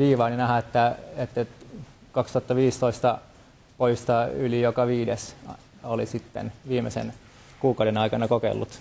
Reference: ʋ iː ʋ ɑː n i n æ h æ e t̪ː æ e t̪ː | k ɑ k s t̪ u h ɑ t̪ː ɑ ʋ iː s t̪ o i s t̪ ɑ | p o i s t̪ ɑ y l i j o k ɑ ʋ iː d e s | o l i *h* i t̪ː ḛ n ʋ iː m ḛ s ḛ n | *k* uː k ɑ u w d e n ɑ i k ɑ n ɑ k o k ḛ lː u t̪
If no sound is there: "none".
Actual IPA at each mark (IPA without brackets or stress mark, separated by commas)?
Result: s, k